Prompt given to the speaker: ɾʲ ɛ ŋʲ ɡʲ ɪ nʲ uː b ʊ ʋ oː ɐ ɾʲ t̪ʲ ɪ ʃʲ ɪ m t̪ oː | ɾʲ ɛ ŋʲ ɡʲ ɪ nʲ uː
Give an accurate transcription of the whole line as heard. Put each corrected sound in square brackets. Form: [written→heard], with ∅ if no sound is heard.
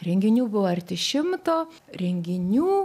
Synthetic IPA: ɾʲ ɛ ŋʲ ɡʲ ɪ nʲ uː b ʊ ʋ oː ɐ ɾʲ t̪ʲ ɪ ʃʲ ɪ m t̪ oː | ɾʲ ɛ ŋʲ ɡʲ ɪ nʲ uː